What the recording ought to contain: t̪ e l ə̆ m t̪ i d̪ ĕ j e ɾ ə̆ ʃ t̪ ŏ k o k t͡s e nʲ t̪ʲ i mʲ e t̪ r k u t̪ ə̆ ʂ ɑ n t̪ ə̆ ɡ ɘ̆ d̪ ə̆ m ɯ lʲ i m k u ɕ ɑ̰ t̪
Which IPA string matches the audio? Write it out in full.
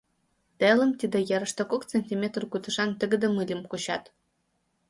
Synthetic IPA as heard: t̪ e l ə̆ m t̪ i d̪ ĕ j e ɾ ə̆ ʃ t̪ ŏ k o k t͡s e nʲ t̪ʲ i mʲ e t̪ r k u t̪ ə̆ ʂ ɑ n t̪ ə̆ ɡ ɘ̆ d̪ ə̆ m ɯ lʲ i m k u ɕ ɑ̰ t̪